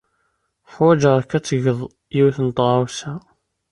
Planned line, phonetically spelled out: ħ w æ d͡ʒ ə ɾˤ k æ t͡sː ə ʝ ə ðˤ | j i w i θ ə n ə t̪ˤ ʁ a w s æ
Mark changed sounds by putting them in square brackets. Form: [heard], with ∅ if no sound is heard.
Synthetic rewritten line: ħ w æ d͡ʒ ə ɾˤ k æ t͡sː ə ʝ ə ðˤ | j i w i θ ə n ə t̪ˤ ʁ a w s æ